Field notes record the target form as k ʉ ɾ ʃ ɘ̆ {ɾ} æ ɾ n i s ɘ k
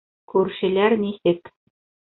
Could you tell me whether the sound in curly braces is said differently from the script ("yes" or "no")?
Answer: yes